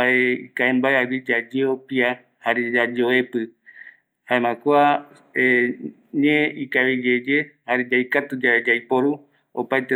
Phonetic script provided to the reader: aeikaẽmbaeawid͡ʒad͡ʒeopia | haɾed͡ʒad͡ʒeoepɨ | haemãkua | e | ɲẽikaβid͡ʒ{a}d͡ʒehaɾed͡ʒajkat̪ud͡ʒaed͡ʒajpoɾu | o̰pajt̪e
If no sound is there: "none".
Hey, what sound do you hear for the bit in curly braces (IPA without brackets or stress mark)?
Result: e